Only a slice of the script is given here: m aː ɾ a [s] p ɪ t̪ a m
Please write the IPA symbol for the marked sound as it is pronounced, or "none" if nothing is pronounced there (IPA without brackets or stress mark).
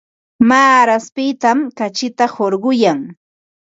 s